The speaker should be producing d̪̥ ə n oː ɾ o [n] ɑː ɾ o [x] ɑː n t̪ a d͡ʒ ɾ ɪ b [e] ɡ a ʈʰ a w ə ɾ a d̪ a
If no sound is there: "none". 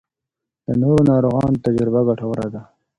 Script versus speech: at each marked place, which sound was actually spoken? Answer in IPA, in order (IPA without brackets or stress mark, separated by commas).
n, ɣ, a